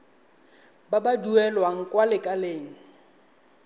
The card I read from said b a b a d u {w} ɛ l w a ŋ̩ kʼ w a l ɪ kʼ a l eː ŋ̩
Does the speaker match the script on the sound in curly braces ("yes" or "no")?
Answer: no